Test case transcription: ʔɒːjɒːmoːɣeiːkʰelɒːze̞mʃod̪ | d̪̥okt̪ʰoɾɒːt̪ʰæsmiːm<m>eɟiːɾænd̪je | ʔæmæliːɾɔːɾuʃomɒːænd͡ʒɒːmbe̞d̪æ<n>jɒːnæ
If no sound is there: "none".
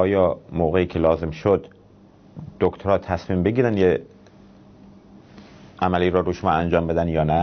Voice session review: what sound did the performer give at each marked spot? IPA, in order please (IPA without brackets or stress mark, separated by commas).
b, n